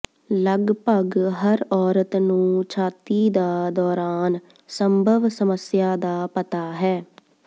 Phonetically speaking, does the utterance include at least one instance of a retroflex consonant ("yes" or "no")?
no